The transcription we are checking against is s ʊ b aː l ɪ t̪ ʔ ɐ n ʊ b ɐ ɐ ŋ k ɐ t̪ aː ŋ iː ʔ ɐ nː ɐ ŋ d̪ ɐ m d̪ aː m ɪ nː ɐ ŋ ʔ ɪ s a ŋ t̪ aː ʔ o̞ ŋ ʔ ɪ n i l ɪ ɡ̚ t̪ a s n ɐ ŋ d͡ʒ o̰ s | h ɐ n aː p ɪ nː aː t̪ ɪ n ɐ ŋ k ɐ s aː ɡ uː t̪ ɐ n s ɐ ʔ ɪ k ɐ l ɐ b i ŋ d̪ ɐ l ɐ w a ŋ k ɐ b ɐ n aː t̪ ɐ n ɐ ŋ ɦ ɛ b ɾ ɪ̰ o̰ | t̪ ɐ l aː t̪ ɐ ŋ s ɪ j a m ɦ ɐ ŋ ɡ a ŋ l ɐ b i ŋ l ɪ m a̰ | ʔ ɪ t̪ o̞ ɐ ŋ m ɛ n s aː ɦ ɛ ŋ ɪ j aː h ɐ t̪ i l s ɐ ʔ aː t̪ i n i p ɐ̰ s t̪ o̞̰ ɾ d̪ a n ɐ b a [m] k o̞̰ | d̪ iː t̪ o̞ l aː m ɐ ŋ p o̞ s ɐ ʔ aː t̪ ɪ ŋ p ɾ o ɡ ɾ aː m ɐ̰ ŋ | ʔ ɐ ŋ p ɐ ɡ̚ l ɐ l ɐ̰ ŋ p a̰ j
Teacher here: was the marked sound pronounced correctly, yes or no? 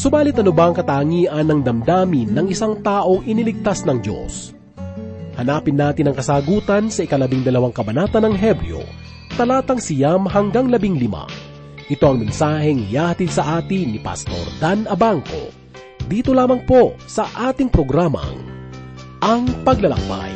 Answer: no